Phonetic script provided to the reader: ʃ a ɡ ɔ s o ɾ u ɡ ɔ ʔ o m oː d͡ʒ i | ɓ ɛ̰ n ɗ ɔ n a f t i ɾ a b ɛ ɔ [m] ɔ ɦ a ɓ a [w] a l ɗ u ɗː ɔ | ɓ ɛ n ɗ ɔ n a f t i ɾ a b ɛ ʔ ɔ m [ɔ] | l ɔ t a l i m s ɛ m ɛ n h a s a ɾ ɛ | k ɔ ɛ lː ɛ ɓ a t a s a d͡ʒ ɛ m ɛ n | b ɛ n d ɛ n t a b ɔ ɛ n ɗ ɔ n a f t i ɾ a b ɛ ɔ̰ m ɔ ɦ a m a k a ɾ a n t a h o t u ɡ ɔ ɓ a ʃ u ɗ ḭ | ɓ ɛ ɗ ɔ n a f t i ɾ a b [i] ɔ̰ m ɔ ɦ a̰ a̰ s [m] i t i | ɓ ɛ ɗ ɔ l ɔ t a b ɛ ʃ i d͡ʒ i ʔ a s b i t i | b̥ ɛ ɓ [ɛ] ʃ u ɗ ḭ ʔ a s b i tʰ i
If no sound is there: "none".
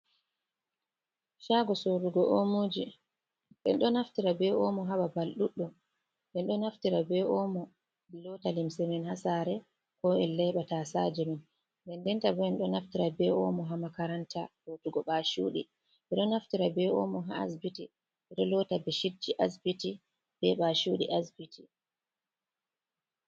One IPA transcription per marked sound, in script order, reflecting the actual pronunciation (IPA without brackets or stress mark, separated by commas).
m, b, ɔ, ɛ, b, a